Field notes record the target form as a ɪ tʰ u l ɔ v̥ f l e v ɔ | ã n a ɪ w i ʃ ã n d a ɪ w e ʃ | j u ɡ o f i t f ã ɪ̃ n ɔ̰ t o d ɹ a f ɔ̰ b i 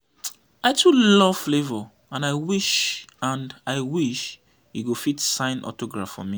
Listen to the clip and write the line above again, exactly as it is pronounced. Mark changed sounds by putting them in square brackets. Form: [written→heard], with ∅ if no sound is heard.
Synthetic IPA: a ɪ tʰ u l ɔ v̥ f l e v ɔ | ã n a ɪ w i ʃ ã n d a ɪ w [e→i] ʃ | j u ɡ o f i t [f→s] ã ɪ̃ n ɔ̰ t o [d→ɡ] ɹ a f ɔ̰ [b→m] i